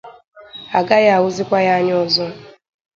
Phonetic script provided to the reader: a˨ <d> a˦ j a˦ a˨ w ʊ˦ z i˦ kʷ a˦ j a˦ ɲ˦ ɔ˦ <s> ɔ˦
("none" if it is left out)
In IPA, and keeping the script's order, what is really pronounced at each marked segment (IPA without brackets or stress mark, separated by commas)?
ɡ, z